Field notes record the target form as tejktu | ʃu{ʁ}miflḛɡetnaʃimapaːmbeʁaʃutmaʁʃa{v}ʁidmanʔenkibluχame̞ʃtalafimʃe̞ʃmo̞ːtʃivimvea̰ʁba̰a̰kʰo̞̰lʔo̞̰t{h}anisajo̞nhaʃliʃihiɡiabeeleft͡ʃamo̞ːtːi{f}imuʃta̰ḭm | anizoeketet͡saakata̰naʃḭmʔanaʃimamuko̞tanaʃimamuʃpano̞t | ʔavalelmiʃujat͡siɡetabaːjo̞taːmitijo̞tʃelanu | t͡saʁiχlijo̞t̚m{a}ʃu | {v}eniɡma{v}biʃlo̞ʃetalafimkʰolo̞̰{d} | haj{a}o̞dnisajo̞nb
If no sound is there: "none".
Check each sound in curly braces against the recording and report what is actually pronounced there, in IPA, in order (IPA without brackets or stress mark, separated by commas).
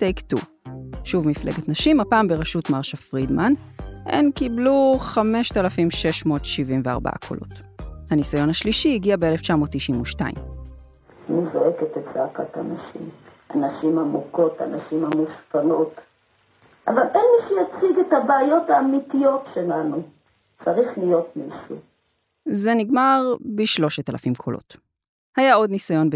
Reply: v, f, h, ʃ, i, z, ʁ, t, a